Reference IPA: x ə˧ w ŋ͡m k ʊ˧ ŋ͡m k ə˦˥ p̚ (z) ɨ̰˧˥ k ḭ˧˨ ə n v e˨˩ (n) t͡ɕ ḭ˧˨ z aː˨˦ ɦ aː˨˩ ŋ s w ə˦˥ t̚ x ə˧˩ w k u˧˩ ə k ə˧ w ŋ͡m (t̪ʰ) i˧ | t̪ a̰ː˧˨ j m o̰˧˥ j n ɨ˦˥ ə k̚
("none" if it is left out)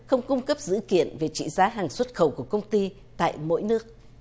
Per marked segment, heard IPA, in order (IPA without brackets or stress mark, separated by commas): z, none, t̪